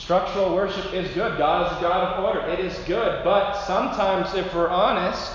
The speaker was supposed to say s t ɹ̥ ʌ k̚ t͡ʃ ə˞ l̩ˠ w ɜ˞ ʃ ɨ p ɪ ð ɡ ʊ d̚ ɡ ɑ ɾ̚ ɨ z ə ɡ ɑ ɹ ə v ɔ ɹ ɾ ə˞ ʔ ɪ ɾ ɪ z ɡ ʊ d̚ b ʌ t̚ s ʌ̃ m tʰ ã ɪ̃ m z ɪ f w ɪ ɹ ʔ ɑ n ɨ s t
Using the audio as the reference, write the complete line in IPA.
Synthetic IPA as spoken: s t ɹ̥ ʌ k̚ t͡ʃ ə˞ l̩ˠ w ɜ˞ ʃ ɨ p ɪ z ɡ ʊ d̚ ɡ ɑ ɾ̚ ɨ z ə ɡ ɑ ɾ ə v ɔ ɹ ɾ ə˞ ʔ ɪ ɾ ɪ z ɡ ʊ d̚ b ʌ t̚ s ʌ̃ m tʰ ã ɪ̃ m z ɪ f w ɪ ɹ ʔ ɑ n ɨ s t